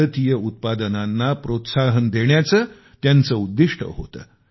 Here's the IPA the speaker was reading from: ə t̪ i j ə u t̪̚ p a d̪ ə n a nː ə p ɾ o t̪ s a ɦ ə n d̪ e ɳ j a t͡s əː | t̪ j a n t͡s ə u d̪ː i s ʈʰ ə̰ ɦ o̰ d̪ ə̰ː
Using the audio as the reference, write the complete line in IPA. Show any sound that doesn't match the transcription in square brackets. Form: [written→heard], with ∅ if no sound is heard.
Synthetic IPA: ə t̪ i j ə u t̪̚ p a d̪ ə n a nː [ə→a] p ɾ o t̪ s a ɦ ə n d̪ e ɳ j a t͡s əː | t̪ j a n t͡s ə u d̪ː i [s→ʂ] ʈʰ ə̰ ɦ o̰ [d̪→t̪] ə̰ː